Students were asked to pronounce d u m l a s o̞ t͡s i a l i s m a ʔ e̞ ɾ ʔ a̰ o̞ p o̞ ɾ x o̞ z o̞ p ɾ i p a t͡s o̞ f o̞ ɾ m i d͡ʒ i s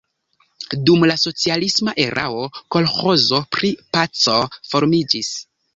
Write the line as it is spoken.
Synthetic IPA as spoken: d u m l a s o̞ t͡s i a l i s m a ʔ e̞ ɾ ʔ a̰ o̞ k o̞ l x o̞ z o̞ p ɾ i p a t͡s o̞ f o̞ ɾ m i d͡ʒ i s